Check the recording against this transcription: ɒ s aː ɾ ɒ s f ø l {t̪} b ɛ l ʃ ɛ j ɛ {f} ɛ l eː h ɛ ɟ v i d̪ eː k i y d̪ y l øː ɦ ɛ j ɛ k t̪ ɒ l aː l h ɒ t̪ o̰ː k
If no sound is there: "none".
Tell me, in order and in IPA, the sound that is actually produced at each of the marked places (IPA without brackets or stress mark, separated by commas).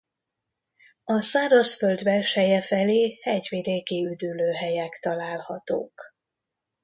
d̪, f